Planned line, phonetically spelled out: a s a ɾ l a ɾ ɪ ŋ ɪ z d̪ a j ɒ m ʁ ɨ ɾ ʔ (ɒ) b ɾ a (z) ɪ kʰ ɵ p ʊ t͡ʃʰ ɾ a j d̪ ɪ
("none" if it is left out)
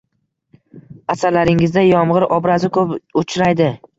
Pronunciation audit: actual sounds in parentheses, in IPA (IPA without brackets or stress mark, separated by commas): ɒ, z